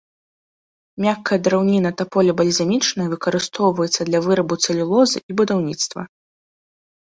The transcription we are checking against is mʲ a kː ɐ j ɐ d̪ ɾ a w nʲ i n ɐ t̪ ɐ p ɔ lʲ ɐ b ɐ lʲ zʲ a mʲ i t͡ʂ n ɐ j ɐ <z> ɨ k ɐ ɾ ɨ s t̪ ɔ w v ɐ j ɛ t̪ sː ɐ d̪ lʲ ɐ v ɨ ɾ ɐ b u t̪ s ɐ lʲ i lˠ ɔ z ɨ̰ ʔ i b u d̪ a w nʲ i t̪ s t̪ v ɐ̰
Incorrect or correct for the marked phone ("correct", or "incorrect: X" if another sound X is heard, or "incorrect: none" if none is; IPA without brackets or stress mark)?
incorrect: v